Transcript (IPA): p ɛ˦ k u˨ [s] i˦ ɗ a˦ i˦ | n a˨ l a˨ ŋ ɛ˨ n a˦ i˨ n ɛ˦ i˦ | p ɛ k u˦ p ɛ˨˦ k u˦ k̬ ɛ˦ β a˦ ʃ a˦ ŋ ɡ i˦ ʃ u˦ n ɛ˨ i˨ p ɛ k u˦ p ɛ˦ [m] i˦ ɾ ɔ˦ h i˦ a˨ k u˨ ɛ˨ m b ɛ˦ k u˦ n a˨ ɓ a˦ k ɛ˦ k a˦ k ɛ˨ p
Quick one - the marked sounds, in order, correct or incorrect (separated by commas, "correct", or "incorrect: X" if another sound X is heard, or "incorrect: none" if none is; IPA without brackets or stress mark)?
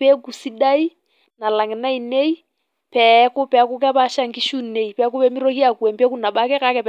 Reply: correct, correct